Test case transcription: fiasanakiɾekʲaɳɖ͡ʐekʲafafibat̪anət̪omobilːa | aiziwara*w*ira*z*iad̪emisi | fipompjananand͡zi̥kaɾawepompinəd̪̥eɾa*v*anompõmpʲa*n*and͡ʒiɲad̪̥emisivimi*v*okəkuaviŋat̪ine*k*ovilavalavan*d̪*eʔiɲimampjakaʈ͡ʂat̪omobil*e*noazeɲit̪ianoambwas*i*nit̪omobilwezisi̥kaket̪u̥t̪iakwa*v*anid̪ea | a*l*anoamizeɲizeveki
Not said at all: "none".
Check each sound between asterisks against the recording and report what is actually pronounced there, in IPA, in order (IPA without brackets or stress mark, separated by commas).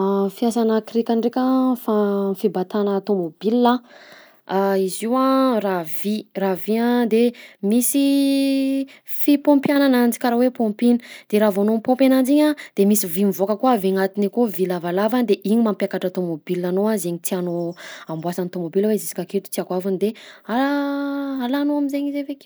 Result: v, v, v, n, v, k, d̪, a, a, v, l